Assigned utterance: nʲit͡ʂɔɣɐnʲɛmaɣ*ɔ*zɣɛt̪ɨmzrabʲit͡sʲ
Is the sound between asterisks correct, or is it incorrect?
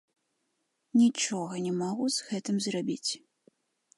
incorrect: u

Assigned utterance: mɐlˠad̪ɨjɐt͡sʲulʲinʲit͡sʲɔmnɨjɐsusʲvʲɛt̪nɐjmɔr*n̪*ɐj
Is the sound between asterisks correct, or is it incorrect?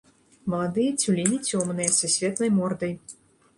incorrect: d̪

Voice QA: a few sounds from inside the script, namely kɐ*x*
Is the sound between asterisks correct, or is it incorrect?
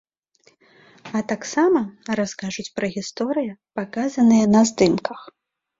correct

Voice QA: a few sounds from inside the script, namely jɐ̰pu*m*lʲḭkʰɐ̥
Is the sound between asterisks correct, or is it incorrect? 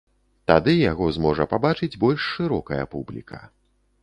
incorrect: b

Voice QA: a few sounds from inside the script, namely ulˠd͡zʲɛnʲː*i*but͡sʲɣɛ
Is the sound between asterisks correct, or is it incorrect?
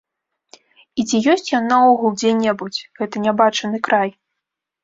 incorrect: ɛ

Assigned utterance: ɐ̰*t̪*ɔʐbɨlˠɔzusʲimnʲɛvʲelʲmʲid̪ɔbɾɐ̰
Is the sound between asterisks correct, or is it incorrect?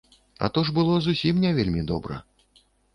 correct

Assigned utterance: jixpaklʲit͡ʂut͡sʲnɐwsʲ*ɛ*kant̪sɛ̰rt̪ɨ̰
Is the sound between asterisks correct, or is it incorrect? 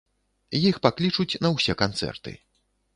correct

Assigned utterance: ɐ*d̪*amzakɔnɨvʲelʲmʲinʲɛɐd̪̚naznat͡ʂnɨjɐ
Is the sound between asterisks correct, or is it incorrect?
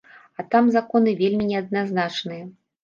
incorrect: t̪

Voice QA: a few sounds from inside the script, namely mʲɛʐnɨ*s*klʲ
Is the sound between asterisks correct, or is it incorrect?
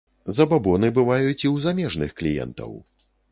incorrect: x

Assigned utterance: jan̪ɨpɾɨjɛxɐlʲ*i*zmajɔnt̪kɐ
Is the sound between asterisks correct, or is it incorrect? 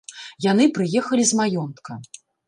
correct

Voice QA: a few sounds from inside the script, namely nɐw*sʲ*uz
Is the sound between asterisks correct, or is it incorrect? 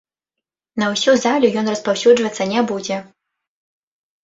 correct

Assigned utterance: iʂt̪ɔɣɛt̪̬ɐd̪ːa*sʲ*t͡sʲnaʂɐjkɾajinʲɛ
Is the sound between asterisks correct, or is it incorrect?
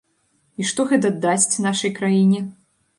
correct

